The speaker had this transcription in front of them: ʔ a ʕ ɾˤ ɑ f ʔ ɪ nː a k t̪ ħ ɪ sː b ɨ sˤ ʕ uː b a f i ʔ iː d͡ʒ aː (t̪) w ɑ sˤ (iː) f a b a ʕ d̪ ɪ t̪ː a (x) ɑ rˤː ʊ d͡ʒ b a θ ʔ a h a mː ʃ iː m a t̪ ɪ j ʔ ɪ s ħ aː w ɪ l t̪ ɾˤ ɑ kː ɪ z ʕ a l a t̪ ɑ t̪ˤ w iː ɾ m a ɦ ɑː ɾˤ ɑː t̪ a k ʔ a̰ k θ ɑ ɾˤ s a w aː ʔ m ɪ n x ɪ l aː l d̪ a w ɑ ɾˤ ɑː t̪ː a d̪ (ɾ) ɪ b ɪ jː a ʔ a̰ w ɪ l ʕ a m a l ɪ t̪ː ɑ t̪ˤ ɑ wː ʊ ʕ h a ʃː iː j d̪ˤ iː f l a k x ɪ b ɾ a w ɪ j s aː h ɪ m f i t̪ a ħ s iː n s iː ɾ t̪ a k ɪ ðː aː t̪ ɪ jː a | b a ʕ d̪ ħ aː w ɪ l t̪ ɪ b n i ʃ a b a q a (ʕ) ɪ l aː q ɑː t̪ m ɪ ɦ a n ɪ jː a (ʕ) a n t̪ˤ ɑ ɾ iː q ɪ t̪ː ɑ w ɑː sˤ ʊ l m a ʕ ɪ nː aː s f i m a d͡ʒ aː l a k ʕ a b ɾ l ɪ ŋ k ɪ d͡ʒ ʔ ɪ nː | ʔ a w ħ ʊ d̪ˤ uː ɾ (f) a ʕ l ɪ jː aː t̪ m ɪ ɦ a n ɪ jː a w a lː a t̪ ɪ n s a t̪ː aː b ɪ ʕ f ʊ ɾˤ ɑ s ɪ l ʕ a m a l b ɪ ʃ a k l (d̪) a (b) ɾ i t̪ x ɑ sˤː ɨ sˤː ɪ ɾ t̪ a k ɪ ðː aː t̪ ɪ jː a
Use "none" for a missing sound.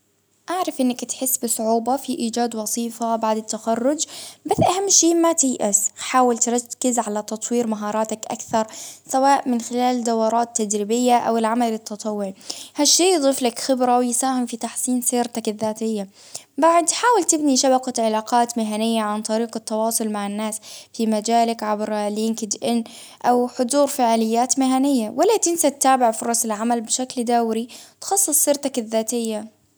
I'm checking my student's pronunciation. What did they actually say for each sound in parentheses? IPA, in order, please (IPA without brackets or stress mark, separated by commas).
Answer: d̪, iː, x, ɾ, ʕ, ʕ, f, d̪, w